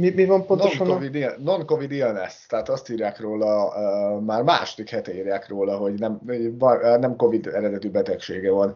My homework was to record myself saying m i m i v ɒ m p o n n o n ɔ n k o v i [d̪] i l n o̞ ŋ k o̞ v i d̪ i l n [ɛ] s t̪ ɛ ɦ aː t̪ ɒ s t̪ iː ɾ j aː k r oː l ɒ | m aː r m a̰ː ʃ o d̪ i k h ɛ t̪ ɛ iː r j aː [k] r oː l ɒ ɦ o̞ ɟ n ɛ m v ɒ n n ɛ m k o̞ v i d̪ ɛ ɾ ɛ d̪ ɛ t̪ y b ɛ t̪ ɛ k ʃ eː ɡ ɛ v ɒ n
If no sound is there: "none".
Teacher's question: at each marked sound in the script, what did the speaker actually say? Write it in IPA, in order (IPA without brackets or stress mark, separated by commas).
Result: d̪, ɛ, k